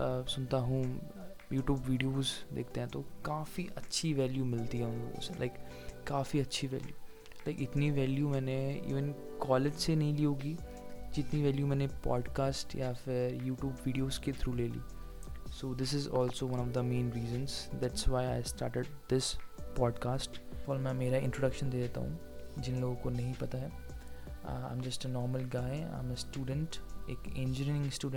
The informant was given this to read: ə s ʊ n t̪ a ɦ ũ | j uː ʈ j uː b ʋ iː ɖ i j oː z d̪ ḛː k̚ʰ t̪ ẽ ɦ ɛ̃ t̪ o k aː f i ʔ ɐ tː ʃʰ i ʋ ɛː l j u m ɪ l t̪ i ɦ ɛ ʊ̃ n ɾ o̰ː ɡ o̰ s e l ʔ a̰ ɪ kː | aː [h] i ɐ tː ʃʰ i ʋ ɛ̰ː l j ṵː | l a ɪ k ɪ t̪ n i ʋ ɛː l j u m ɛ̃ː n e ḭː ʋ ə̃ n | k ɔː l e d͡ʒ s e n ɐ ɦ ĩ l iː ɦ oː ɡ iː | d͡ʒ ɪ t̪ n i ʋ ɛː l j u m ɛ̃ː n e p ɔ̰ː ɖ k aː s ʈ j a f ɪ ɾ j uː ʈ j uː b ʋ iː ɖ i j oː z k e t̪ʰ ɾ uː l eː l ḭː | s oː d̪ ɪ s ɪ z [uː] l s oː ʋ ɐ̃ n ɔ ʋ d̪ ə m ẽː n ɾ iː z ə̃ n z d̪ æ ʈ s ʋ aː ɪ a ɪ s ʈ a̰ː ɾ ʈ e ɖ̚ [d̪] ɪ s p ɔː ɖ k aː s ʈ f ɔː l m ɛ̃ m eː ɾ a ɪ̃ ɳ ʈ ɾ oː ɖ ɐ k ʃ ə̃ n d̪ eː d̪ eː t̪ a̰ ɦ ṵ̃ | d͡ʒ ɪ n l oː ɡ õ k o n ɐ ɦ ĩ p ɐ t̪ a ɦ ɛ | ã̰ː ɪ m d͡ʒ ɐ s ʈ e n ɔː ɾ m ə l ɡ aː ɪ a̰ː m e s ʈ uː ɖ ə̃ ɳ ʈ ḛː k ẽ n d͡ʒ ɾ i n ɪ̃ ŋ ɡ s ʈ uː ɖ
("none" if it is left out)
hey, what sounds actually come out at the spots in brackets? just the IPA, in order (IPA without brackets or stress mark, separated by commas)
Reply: f, ɔː, d̪